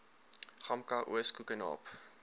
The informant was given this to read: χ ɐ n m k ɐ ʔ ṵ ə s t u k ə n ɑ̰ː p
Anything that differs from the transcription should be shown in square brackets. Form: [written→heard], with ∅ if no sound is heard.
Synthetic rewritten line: χ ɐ [n→∅] m k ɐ ʔ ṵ ə s [t→k] u k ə n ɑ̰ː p